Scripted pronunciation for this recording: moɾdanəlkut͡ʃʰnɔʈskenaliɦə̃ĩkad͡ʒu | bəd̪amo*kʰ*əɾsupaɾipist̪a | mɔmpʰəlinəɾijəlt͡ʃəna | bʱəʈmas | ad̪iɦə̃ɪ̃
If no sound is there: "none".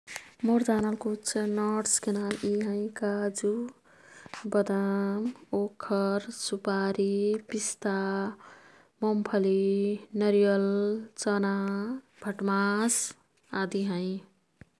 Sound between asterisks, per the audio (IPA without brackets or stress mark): kʰ